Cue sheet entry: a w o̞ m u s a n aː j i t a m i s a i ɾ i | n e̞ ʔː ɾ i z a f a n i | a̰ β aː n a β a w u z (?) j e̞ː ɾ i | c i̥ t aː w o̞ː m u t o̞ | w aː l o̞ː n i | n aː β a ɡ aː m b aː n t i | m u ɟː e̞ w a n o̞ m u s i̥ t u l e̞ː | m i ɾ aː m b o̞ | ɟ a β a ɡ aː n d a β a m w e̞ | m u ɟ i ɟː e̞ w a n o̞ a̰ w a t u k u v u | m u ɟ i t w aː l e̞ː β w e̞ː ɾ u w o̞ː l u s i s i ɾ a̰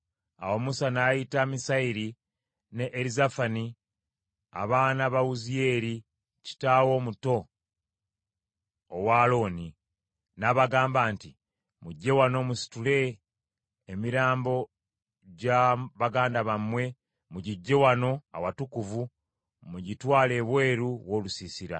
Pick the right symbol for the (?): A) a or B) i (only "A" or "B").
B